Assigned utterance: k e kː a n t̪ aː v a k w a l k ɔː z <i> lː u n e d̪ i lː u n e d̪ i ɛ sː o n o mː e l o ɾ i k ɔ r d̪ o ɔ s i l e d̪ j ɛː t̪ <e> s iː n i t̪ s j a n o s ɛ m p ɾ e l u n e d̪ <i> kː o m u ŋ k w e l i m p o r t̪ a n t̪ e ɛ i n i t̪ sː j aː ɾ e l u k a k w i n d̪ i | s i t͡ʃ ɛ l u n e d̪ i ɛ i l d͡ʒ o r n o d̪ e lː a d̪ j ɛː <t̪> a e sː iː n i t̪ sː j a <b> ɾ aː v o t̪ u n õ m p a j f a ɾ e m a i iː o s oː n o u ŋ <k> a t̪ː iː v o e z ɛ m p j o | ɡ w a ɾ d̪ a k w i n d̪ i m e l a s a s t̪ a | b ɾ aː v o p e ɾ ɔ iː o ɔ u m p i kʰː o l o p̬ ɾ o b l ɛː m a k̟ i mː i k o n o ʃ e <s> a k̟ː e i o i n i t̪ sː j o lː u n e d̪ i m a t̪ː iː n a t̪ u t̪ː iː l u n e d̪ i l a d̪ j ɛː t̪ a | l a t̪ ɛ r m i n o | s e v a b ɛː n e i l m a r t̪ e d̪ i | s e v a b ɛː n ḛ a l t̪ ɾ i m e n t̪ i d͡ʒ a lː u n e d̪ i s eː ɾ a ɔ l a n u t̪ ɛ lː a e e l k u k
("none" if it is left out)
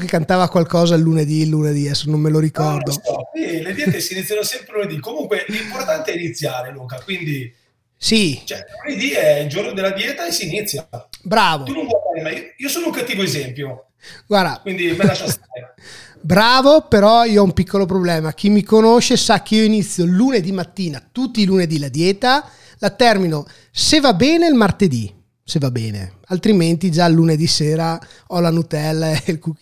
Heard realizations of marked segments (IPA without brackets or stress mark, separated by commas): a, e, i, t̪, b, k, s